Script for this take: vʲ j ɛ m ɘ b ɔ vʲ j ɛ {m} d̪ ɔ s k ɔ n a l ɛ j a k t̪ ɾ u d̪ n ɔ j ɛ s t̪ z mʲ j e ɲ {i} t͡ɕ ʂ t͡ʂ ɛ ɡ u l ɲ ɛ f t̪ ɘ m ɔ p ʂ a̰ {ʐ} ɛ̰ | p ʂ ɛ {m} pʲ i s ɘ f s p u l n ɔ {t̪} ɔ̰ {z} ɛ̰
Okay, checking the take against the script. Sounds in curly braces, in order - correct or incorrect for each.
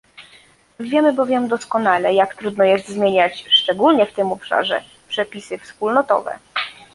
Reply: correct, incorrect, correct, incorrect, correct, incorrect

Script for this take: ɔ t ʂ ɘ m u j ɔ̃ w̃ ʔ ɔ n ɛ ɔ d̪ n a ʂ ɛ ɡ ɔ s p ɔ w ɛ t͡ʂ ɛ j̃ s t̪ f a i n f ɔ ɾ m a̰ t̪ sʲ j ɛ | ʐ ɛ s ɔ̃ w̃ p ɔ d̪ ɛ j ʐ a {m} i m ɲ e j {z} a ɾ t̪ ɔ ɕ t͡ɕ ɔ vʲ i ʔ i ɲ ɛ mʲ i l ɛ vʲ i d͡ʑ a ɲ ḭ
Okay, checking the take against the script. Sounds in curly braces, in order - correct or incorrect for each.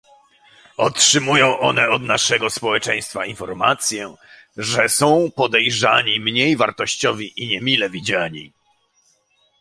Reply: incorrect, incorrect

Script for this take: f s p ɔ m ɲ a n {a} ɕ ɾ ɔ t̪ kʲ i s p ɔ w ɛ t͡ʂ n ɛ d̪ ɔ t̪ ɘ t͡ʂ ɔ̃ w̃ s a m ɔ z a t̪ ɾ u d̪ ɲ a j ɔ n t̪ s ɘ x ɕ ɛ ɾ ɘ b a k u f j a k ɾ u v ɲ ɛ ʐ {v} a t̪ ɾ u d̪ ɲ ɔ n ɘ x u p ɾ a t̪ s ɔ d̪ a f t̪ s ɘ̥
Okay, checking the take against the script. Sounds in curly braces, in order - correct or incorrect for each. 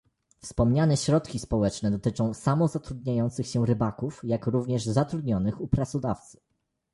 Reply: incorrect, incorrect

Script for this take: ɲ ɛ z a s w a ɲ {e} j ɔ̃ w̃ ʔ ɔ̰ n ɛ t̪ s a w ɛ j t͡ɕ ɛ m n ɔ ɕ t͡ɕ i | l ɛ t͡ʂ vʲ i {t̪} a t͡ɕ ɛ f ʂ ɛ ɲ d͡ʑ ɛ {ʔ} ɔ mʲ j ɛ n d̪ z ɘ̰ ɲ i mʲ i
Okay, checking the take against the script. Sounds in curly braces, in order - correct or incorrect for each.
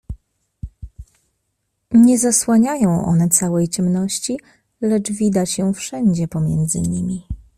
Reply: incorrect, incorrect, incorrect

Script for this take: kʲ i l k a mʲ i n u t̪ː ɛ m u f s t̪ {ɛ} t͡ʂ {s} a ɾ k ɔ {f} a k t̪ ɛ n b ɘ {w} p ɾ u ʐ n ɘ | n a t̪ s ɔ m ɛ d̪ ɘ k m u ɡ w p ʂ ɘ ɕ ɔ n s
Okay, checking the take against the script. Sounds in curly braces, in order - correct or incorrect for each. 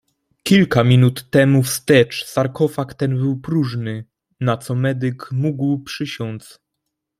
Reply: correct, correct, correct, correct

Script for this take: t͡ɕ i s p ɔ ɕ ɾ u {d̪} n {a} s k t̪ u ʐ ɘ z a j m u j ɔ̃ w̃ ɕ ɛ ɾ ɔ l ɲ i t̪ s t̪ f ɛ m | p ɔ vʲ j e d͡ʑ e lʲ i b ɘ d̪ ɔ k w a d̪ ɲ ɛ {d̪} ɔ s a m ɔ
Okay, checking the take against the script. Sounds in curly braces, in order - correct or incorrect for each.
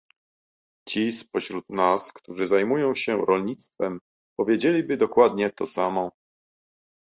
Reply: incorrect, correct, incorrect

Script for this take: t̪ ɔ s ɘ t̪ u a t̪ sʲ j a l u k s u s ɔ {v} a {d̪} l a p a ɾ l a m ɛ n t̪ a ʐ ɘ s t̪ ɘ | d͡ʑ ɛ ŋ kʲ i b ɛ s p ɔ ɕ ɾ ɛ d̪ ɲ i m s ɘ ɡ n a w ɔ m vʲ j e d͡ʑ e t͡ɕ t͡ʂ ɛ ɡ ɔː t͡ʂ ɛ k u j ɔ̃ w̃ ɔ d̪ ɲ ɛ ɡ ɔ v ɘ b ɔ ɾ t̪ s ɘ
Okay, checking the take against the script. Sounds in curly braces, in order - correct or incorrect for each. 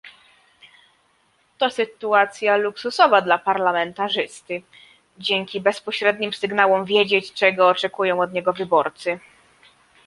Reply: correct, correct

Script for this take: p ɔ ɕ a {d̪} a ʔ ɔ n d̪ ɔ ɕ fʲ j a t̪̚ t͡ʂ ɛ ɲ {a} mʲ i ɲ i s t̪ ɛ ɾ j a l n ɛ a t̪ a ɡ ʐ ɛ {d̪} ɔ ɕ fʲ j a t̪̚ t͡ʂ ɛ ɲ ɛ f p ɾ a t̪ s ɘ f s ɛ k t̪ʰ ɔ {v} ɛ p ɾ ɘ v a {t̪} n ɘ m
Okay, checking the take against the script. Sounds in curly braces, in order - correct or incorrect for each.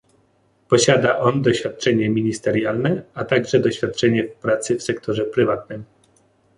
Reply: correct, incorrect, correct, incorrect, correct

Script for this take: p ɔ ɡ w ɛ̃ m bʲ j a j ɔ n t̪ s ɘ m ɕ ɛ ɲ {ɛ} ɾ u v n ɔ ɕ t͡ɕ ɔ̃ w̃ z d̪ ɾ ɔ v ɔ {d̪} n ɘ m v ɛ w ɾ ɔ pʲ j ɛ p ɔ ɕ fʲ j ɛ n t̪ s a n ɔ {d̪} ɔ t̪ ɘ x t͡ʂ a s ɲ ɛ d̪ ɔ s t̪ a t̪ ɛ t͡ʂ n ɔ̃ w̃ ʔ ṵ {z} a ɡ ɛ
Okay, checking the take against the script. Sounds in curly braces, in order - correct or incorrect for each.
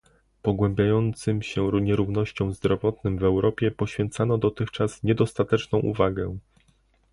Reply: correct, incorrect, correct, incorrect

